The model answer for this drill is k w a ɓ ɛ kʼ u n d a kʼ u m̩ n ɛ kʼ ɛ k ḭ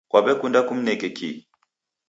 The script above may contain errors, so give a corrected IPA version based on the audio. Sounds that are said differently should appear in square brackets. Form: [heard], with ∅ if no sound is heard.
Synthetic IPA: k w a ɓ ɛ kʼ u n d a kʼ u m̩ n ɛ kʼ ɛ k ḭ